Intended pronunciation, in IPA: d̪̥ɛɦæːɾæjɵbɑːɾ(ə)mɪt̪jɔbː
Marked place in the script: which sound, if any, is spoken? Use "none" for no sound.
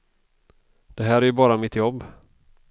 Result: a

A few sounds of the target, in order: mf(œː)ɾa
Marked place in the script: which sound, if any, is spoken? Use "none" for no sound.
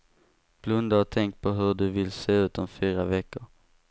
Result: yː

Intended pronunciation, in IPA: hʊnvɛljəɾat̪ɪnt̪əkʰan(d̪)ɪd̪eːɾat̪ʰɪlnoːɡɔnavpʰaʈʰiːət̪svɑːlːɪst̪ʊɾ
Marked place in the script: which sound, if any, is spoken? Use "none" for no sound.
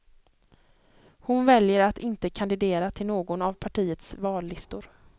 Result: d̪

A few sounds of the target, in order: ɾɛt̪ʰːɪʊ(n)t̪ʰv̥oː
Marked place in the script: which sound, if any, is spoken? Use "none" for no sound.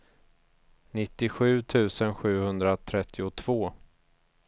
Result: none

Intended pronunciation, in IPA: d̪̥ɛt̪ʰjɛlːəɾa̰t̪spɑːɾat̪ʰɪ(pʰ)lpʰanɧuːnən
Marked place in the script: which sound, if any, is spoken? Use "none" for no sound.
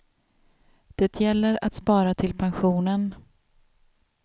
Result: none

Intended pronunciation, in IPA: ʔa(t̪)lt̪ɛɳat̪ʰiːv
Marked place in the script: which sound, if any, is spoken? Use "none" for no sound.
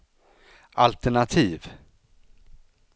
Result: none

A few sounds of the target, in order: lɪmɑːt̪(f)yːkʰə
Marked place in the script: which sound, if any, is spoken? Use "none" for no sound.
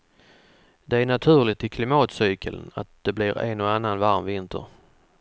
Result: s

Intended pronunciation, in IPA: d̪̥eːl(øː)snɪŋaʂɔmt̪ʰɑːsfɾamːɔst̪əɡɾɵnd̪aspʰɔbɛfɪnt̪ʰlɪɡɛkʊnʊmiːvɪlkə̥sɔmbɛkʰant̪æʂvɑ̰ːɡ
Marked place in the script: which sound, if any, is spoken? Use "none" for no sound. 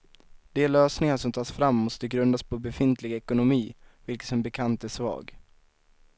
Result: øː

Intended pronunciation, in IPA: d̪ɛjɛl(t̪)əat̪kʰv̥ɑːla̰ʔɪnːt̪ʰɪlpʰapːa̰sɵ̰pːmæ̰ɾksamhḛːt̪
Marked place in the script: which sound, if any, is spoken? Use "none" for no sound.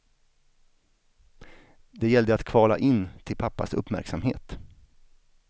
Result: d̪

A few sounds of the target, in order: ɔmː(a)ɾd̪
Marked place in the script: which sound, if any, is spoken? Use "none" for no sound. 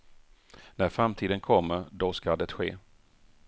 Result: ə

